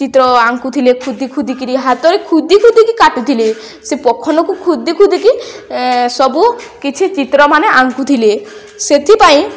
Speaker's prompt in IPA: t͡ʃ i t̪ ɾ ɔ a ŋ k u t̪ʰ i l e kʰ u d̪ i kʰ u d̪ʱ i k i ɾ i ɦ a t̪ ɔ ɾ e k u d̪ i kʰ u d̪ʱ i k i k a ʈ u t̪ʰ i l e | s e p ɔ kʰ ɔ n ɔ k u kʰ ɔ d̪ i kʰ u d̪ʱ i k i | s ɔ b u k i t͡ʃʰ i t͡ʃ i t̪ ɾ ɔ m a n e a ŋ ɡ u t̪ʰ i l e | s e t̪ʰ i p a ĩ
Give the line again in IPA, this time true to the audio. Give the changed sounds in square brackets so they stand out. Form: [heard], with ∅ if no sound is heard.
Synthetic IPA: t͡ʃ i t̪ ɾ ɔ a ŋ k u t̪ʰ i l e kʰ u d̪ i kʰ u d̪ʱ i k i ɾ i ɦ a t̪ ɔ ɾ e [kʰ] u d̪ i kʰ u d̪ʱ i k i k a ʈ u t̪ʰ i l e | s e p ɔ kʰ ɔ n ɔ k u kʰ [u] d̪ i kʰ u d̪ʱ i k i | s ɔ b u k i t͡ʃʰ i t͡ʃ i t̪ ɾ ɔ m a n e a ŋ [k] u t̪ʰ i l e | s e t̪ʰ i p a ĩ